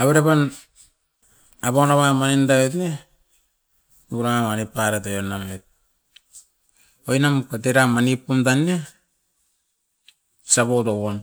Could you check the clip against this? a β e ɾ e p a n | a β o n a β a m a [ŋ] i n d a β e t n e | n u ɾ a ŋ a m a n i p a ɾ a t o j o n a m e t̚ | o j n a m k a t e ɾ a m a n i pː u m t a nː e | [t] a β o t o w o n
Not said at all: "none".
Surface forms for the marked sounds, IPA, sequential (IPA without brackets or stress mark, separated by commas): n, s